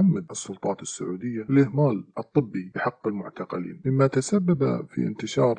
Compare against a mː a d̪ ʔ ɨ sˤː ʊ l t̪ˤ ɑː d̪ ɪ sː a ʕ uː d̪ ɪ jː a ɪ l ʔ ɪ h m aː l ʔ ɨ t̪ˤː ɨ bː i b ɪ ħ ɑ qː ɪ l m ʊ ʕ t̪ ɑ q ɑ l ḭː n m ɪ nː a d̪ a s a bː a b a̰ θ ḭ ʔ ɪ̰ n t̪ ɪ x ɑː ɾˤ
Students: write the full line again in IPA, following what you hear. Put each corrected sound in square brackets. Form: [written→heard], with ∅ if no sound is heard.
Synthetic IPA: a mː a d̪ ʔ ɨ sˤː ʊ l t̪ˤ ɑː [d̪→t̪] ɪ sː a ʕ uː d̪ ɪ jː a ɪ l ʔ ɪ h m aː l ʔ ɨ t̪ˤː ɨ bː i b ɪ ħ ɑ qː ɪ l m ʊ ʕ t̪ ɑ q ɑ l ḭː n m ɪ [nː→mː] a [d̪→t̪] a s a bː a b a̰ [θ→f] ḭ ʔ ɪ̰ n t̪ ɪ [x→ʃ] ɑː ɾˤ